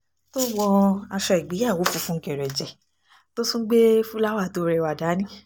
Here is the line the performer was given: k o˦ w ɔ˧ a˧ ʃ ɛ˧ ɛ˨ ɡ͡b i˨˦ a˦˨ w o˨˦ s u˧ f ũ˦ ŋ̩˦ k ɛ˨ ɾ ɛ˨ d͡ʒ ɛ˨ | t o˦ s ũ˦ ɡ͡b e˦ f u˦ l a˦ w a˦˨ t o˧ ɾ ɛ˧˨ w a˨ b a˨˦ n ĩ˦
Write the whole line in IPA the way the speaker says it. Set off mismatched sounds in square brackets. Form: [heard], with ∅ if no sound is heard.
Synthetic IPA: [t] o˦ w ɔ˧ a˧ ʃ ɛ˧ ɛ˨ ɡ͡b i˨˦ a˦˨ w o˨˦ [f] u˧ f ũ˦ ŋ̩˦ k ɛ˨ ɾ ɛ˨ d͡ʒ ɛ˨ | t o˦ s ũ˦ ɡ͡b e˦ f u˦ l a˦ w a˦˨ t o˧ ɾ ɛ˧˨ w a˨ [d] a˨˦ n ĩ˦